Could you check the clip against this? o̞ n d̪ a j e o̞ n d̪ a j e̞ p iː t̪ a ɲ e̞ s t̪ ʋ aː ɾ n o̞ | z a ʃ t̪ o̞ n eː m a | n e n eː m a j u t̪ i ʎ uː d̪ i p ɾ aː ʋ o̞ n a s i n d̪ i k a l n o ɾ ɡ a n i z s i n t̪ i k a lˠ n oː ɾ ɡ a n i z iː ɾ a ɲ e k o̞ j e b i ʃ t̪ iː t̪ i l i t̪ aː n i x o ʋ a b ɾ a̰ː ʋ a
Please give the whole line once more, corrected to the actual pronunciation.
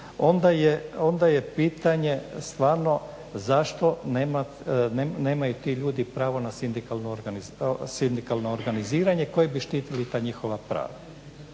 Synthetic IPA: o̞ n d̪ a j e o̞ n d̪ a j e̞ p iː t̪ a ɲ e̞ s t̪ ʋ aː ɾ n o̞ | z a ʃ t̪ o̞ n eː m a | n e n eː m a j u t̪ i ʎ uː d̪ i p ɾ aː ʋ o̞ n a s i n d̪ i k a l n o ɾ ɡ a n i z s i n d̪ i k a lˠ n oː ɾ ɡ a n i z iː ɾ a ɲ e k o̞ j e b i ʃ t̪ iː t̪ i l i t̪ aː ɲ i x o ʋ a p ɾ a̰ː ʋ a

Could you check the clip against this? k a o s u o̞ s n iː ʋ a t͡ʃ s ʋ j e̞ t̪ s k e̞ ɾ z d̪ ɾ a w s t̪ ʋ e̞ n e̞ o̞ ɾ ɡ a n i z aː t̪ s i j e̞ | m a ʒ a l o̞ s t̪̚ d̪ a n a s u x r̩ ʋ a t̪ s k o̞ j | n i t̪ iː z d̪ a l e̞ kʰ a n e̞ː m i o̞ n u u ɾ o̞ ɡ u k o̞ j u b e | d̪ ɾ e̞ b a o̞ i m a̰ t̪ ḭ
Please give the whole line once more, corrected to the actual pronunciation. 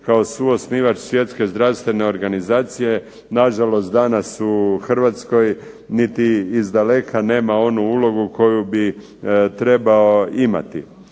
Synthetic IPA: k a o s u o̞ s n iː ʋ a t͡ʃ s ʋ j e̞ t̪ s k e̞ z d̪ ɾ a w s t̪ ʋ e̞ n e̞ o̞ ɾ ɡ a n i z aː t̪ s i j e̞ | n a ʒ a l o̞ s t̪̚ d̪ a n a s u x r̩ ʋ a t̪ s k o̞ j | n i t̪ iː z d̪ a l e̞ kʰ a n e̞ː m a o̞ n u u l o̞ ɡ u k o̞ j u b i | t̪ ɾ e̞ b a o̞ i m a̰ t̪ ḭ

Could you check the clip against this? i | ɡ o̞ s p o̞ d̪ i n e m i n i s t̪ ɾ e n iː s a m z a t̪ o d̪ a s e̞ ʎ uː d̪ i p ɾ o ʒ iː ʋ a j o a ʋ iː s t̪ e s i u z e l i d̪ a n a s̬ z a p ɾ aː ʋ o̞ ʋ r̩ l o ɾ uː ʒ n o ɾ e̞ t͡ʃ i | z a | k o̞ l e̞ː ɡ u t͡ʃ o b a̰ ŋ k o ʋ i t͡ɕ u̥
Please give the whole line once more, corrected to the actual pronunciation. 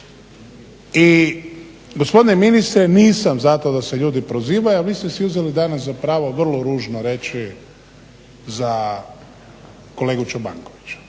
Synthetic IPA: i | ɡ o̞ s p o̞ d̪ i n e m i n i s t̪ ɾ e n iː s a m z a t̪ o d̪ a s e̞ ʎ uː d̪ i p ɾ o z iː ʋ a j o a ʋ iː s t̪ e s i u z e l i d̪ a n a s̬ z a p ɾ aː ʋ o̞ ʋ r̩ l o ɾ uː ʒ n o ɾ e̞ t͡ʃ i | z a | k o̞ l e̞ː ɡ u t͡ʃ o b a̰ ŋ k o ʋ i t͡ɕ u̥

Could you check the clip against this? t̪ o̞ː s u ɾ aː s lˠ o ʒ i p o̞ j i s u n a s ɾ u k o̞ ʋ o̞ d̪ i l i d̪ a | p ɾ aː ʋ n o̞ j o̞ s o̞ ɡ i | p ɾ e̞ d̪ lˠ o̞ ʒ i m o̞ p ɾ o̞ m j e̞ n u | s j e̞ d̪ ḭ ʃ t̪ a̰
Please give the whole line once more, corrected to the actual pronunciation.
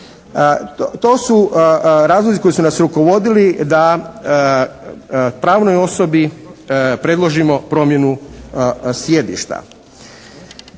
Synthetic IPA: t̪ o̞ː s u ɾ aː z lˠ o z i k o̞ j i s u n a s ɾ u k o̞ ʋ o̞ d̪ i l i d̪ a | p ɾ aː ʋ n o̞ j o̞ s o̞ b i | p ɾ e̞ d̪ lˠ o̞ ʒ i m o̞ p ɾ o̞ m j e̞ n u | s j e̞ d̪ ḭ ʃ t̪ a̰

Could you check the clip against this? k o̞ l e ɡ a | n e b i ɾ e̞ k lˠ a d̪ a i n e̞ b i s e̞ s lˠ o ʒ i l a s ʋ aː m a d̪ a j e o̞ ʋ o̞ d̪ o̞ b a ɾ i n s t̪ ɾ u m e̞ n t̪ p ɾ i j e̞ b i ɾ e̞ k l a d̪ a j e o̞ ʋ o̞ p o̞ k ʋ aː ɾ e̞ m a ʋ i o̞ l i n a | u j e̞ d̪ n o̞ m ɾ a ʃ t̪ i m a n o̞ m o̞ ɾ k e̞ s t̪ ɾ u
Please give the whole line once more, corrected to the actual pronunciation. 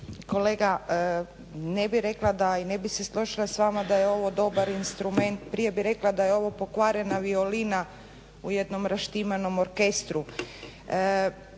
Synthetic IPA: k o̞ l e ɡ a | n e b i ɾ e̞ k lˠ a d̪ a i n e̞ b i s e̞ s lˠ o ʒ i l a s ʋ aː m a d̪ a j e o̞ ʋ o̞ d̪ o̞ b a ɾ i n s t̪ ɾ u m e̞ n t̪ p ɾ i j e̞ b i ɾ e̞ k l a d̪ a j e o̞ ʋ o̞ p o̞ k ʋ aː ɾ e̞ n a ʋ i o̞ l i n a | u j e̞ d̪ n o̞ m ɾ a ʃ t̪ i m a n o̞ m o̞ ɾ k e̞ s t̪ ɾ u

